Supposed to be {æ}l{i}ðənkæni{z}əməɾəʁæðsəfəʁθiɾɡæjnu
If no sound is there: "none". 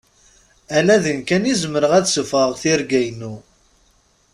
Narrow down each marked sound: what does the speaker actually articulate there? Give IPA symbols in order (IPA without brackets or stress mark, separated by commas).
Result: æ, æ, z